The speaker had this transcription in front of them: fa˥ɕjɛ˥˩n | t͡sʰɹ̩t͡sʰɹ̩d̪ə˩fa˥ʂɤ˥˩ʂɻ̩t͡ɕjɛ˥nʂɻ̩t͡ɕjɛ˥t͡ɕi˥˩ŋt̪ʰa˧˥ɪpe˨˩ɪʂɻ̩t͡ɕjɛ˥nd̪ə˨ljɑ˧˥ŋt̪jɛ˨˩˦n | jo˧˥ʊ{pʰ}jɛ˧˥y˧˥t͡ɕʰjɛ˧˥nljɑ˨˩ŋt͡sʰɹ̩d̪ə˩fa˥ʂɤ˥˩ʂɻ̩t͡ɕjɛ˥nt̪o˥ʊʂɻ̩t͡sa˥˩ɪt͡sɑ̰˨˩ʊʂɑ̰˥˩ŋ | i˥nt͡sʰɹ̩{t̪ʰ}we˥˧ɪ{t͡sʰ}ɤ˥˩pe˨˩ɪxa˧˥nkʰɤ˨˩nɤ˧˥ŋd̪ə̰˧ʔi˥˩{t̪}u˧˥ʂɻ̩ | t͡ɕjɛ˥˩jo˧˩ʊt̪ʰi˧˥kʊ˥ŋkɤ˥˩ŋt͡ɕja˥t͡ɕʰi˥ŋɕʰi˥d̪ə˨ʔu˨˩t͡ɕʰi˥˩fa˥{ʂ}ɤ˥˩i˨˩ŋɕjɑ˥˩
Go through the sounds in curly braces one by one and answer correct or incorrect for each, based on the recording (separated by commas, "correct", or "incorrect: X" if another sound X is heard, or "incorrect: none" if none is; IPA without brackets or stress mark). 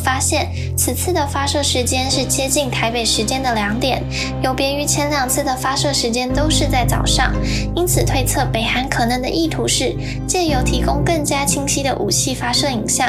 incorrect: p, correct, correct, incorrect: t̪ʰ, correct